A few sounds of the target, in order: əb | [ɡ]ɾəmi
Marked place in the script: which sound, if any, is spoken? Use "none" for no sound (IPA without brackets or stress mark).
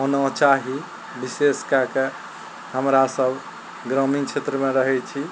ɡ